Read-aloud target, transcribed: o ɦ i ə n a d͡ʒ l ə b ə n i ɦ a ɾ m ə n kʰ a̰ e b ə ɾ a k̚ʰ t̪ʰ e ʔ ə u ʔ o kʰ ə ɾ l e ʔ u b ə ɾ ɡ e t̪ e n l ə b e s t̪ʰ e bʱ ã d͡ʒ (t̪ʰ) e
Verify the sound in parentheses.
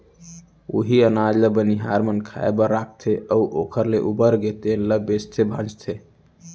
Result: correct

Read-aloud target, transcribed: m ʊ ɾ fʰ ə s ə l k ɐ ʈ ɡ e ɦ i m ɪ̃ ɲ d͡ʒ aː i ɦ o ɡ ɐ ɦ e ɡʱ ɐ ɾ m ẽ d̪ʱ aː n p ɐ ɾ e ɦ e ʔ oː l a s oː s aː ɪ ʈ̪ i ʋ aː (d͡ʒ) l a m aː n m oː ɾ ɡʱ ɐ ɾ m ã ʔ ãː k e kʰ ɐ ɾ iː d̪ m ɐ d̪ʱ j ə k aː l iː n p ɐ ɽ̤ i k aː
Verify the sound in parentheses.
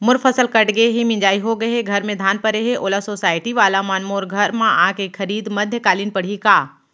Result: incorrect: none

